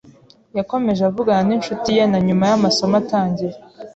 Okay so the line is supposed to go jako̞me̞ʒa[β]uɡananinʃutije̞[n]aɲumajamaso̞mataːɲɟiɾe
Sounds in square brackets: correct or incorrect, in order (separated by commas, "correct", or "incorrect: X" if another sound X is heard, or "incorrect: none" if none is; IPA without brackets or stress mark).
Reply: incorrect: v, correct